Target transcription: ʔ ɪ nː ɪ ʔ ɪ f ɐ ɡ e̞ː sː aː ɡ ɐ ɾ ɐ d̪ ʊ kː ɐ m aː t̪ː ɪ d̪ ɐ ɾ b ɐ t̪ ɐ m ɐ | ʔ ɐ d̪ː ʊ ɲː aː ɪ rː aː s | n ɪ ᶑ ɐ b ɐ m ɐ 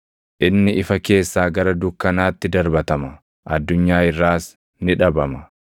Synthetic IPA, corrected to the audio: ʔ ɪ nː ɪ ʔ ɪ f ɐ k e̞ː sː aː ɡ ɐ ɾ ɐ d̪ ʊ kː ɐ n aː t̪ː ɪ d̪ ɐ ɾ b ɐ t̪ ɐ m ɐ | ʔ ɐ d̪ː ʊ ɲː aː ɪ rː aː s | n ɪ ᶑ ɐ b ɐ m ɐ

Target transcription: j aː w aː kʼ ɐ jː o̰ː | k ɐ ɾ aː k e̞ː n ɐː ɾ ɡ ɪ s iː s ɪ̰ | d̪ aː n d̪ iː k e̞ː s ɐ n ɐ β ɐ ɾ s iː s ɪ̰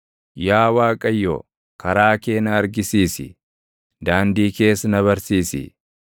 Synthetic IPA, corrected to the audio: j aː w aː kʼ ɐ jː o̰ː | k ɐ ɾ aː k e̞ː n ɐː ɾ ɡ ɪ s iː s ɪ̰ | d̪ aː n d̪ iː k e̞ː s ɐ n ɐ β ɐ ɾ s iː s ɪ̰

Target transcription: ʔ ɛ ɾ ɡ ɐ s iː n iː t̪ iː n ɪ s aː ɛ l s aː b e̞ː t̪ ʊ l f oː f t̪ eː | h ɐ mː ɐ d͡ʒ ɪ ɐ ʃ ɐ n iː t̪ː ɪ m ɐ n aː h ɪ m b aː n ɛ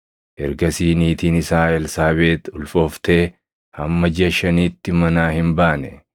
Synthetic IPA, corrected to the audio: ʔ ɛ ɾ ɡ ɐ s iː n iː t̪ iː n ɪ s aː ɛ l s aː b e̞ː t̪ ʊ l f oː f t̪ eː | h ɐ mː ɐ d͡ʒ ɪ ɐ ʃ ɐ n iː t̪ː ɪ m ɐ n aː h ɪ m b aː n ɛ

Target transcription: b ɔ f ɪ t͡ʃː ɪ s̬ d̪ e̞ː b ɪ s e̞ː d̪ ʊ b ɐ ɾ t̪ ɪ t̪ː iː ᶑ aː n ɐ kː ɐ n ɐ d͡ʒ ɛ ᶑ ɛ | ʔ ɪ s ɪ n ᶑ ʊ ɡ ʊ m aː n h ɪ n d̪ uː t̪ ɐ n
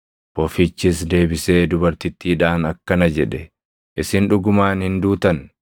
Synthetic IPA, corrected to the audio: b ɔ f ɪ t͡ʃː ɪ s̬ d̪ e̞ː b ɪ s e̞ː d̪ ʊ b ɐ ɾ t̪ ɪ t̪ː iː ᶑ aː n ɐ kː ɐ n ɐ d͡ʒ ɛ ᶑ ɛ | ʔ ɪ s ɪ n ᶑ ʊ ɡ ʊ m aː n h ɪ n d̪ uː t̪ ɐ n

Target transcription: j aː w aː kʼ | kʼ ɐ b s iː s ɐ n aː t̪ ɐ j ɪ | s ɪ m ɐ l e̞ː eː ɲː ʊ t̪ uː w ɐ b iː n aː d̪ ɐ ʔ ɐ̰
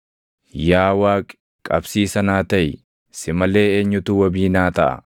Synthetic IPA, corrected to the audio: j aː w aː kʼ | kʼ ɐ b s iː s ɐ n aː t̪ ɐ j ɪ | s ɪ m ɐ l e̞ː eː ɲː ʊ t̪ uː w ɐ b iː n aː t̪ ɐ ʔ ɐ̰

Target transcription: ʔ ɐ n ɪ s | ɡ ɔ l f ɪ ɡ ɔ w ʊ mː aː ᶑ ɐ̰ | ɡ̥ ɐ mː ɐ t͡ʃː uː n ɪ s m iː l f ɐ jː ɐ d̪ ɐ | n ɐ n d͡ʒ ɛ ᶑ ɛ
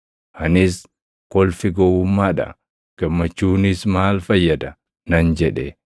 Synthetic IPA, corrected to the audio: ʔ ɐ n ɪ s | k ɔ l f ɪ ɡ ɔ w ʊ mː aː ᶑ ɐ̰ | ɡ̥ ɐ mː ɐ t͡ʃː uː n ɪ s m aː l f ɐ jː ɐ d̪ ɐ | n ɐ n d͡ʒ ɛ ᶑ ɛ

